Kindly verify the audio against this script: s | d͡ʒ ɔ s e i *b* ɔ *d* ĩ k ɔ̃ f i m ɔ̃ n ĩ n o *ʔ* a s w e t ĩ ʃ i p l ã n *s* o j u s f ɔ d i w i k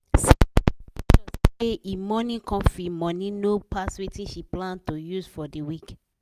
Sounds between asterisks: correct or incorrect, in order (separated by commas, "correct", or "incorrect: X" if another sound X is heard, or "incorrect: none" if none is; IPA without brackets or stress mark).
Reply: incorrect: m, incorrect: n, incorrect: p, incorrect: t